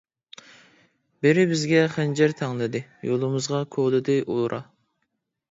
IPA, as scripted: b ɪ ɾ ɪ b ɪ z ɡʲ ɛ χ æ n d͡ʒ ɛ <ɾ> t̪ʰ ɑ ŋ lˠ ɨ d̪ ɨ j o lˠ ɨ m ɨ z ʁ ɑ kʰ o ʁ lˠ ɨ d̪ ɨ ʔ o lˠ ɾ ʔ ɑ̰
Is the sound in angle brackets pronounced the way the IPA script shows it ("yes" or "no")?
yes